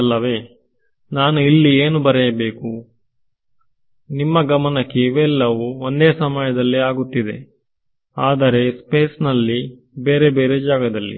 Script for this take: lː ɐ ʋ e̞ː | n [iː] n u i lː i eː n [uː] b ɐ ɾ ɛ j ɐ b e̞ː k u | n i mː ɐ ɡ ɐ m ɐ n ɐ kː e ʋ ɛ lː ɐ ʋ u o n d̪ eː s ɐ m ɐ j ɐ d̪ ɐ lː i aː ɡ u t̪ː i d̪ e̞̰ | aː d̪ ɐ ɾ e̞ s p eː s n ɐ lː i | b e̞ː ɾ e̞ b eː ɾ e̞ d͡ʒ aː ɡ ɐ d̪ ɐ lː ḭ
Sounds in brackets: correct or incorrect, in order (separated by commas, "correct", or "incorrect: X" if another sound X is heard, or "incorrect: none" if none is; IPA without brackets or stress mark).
incorrect: aː, incorrect: u